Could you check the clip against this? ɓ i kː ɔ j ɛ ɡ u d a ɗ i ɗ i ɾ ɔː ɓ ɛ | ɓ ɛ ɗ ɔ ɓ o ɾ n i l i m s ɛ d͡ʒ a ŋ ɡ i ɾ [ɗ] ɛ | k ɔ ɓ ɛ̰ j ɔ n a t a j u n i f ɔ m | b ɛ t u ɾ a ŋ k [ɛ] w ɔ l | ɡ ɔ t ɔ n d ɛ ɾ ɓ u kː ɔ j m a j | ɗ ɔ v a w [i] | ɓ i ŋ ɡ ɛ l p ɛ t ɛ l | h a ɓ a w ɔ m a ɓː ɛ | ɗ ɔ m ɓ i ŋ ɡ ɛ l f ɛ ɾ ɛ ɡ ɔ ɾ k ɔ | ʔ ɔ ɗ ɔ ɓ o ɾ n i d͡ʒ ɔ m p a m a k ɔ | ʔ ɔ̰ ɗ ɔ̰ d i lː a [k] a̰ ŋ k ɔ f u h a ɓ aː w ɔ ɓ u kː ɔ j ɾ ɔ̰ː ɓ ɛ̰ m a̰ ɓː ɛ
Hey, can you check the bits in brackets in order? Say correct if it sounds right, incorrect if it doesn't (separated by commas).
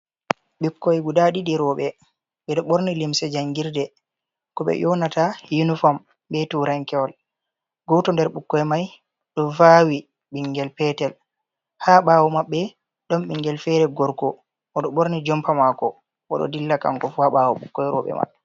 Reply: incorrect, correct, correct, correct